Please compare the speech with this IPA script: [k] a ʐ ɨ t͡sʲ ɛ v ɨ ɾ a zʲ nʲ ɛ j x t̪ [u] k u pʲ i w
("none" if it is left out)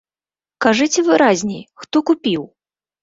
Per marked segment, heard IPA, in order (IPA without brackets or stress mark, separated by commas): k, ɔ